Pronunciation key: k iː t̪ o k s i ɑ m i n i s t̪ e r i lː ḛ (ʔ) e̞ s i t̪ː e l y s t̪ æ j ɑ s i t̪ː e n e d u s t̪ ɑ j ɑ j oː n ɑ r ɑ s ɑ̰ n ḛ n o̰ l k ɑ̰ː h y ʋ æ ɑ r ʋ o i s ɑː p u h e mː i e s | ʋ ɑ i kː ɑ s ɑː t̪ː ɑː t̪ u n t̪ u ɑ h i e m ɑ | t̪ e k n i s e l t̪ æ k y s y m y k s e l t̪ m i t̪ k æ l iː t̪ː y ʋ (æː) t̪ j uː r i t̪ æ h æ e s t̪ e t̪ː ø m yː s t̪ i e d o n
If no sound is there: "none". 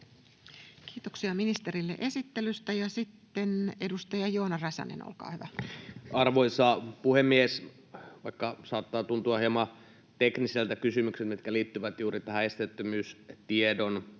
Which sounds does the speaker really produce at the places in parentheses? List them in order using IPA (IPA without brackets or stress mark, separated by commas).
ʔ, æ